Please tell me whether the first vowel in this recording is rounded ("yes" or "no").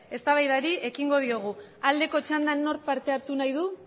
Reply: no